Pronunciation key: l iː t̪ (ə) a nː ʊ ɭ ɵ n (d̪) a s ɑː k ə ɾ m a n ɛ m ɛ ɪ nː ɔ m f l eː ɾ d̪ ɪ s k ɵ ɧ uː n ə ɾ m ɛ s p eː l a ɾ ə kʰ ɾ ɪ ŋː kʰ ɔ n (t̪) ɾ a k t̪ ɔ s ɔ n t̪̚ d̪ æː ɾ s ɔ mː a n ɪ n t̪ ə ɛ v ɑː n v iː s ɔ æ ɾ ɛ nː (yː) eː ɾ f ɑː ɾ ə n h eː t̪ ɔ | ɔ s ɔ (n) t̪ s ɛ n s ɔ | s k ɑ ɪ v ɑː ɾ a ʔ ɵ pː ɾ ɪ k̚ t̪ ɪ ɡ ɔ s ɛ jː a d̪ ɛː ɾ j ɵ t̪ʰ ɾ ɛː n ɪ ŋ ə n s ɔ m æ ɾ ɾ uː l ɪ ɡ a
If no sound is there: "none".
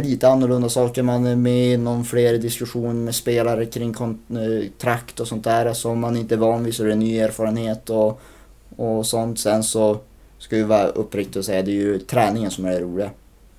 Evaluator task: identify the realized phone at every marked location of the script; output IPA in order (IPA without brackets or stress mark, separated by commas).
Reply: ə, d̪, t̪ʰ, yː, n